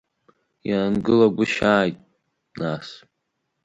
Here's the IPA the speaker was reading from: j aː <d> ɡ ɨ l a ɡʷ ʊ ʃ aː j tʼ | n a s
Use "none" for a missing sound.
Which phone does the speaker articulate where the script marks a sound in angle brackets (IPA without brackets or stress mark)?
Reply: n